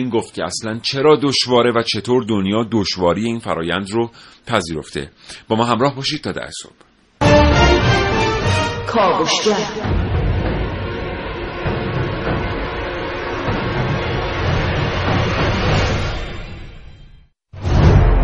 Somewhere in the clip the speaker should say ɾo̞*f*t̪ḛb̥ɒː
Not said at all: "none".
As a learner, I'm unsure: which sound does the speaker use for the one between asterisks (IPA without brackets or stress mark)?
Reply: f